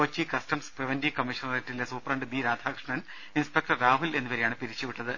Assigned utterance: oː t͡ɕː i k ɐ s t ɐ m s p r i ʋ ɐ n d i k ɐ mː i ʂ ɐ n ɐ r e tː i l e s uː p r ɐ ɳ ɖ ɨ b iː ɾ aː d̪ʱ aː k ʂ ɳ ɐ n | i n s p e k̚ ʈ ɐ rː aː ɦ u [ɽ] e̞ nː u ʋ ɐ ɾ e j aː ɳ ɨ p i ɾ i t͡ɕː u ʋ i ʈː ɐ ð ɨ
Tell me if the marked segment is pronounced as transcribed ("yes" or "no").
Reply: no